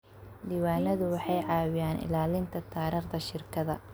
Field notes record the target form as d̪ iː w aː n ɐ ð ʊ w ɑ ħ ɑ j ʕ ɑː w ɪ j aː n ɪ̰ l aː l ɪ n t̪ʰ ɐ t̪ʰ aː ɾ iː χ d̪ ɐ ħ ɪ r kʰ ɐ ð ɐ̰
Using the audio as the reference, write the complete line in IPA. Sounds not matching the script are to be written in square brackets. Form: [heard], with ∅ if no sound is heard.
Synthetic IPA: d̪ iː w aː n ɐ ð ʊ w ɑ ħ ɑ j ʕ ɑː w ɪ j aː n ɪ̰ l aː l ɪ n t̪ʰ ɐ t̪ʰ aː ɾ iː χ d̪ ɐ [ʃ] ɪ r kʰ ɐ ð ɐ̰